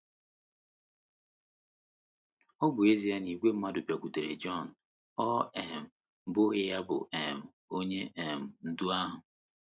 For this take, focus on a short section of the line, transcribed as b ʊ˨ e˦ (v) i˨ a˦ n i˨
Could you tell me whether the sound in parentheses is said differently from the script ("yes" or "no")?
yes